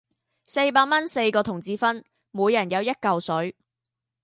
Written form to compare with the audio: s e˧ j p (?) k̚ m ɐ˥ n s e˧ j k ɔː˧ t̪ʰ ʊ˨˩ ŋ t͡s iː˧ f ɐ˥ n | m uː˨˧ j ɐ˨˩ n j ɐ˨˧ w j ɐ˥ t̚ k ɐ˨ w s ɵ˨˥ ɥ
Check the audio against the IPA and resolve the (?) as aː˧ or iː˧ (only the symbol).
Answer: aː˧